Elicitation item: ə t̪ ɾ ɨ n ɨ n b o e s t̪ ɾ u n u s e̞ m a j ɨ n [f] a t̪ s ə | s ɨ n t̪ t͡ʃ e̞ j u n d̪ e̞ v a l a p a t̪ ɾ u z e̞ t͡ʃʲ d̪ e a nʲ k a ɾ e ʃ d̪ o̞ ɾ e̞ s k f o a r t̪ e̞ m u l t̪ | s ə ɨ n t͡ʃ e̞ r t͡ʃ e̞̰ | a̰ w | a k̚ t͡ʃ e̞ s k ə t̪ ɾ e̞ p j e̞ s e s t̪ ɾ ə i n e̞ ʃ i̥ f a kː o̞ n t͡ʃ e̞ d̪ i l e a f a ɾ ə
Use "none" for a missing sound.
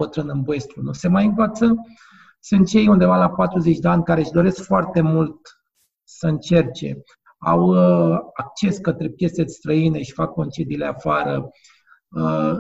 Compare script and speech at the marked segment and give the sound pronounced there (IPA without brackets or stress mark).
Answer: v